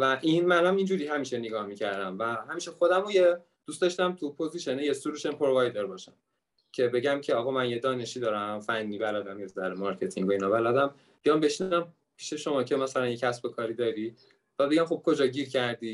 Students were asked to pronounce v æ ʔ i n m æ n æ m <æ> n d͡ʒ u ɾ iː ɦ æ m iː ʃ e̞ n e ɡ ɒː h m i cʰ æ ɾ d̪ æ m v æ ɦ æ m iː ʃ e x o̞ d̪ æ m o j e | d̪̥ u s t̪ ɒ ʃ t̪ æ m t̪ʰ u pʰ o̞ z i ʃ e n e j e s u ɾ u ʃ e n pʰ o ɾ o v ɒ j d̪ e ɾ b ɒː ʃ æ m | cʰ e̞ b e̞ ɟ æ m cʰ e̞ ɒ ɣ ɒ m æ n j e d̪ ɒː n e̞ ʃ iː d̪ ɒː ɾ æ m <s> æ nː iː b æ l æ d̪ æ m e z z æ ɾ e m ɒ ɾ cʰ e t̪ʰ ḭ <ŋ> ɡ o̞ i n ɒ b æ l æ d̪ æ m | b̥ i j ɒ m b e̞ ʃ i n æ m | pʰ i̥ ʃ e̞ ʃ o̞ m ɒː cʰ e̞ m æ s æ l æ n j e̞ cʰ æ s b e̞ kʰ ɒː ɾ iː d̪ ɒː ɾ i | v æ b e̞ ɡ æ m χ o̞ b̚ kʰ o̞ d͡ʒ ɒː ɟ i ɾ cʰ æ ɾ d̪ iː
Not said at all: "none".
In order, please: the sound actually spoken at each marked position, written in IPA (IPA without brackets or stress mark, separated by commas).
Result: i, f, ŋ